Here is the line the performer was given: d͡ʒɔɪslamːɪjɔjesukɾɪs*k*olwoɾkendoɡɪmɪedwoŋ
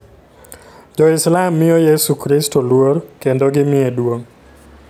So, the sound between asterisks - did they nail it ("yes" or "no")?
no